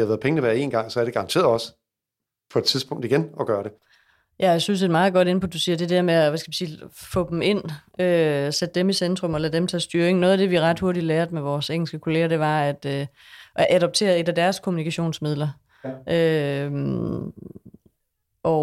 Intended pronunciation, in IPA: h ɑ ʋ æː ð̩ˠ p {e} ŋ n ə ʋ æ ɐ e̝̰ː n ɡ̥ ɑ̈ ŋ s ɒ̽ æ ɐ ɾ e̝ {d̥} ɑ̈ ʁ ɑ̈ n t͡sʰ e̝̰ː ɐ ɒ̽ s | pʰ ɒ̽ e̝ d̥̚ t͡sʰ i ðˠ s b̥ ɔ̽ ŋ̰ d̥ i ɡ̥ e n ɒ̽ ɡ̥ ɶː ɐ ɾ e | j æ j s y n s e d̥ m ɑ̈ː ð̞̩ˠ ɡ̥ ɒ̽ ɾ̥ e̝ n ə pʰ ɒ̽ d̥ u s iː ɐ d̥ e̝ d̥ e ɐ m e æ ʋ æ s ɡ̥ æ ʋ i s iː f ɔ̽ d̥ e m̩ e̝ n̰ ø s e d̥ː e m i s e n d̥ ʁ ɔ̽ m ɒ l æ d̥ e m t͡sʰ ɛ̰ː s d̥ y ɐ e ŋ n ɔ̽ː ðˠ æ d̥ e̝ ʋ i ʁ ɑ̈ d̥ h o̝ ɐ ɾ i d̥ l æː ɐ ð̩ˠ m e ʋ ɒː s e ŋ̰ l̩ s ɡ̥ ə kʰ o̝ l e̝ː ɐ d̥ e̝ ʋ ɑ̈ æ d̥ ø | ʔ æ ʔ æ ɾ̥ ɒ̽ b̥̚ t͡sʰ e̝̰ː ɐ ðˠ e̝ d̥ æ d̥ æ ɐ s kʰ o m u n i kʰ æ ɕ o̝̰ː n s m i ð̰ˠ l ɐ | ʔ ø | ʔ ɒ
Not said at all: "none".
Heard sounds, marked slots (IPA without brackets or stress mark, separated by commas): e, ɡ̥